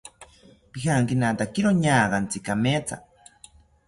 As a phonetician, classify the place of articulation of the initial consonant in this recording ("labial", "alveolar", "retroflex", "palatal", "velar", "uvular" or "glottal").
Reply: labial